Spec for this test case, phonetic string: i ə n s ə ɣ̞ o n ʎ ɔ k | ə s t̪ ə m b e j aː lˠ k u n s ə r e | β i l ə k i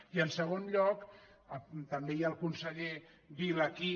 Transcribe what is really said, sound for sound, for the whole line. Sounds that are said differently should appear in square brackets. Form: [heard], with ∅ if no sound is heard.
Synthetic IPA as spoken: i ə n s ə ɣ̞ o n ʎ ɔ k | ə [∅] t̪ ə m b e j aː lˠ k u n s ə [ʎ] e | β i l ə k i